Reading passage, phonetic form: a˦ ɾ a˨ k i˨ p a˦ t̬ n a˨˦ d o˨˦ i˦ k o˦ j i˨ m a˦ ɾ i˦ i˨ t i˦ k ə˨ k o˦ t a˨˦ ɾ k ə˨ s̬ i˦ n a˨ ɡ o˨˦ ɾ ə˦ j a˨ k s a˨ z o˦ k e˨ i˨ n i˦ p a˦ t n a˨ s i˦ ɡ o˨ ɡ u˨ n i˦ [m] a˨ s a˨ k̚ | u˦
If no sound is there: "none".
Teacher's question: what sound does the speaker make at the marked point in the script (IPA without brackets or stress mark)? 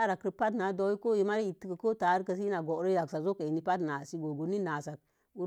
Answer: n